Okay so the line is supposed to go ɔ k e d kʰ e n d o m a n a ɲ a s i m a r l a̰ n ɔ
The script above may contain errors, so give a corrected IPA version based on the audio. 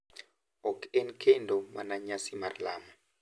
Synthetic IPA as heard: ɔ k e n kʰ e n d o m a n a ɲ a s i m a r l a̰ m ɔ